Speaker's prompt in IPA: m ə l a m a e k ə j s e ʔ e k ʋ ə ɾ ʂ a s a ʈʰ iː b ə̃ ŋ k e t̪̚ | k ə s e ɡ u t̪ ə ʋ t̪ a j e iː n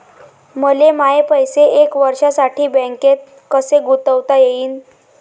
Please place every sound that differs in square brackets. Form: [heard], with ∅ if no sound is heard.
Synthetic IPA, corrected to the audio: m ə l [e] m a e [p] ə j s e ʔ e k ʋ ə ɾ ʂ a s a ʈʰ iː b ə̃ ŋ k e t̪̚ | k ə s e ɡ u t̪ ə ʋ t̪ a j e iː n